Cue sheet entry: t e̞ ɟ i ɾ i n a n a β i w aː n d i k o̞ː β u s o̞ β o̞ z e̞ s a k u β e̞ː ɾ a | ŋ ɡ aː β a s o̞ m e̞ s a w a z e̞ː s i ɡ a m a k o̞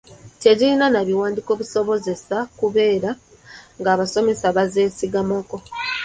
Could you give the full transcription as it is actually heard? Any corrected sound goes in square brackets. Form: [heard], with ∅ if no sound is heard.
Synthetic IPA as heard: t e̞ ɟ i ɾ i n a n a β i w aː n d i k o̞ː β u s o̞ β o̞ z e̞ s a k u β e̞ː ɾ a | ŋ ɡ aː β a s o̞ m e̞ s a [β] a z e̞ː s i ɡ a m a k o̞